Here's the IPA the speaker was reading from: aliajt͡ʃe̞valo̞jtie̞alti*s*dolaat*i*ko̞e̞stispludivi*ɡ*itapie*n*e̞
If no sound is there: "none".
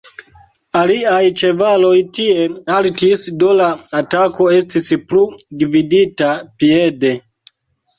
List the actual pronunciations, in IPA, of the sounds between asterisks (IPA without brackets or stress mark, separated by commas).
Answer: s, a, d, d